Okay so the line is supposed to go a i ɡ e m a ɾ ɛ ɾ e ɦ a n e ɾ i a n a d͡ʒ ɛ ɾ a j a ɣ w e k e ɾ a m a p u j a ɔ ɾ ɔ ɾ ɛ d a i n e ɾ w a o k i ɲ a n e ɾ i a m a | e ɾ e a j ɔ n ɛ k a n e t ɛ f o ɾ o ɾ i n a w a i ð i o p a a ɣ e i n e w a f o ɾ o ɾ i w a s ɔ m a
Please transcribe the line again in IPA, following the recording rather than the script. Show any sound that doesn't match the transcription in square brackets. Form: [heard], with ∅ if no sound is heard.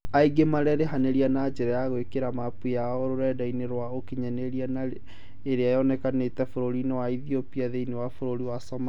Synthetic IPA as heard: a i ɡ e m a ɾ ɛ ɾ e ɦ a n e ɾ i a n a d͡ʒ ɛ ɾ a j a ɣ w e k e ɾ a m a p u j a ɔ ɾ [o] ɾ ɛ d a i n e ɾ w a o k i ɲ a n e ɾ i a [n] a | e ɾ e a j ɔ n ɛ k a n e t ɛ f o ɾ o ɾ i n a w a i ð i o p [i] a [ð] e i n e w a f o ɾ o ɾ i w a s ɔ m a